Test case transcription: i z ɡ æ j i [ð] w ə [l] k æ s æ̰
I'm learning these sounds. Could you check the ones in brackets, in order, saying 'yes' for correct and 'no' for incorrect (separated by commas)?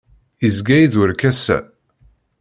yes, no